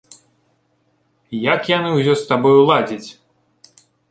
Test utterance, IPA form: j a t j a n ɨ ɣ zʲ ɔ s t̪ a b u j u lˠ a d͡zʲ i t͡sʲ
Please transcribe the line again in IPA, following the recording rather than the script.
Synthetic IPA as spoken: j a k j a n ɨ w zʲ ɔ s t̪ a b ɔ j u lˠ a d͡zʲ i t͡sʲ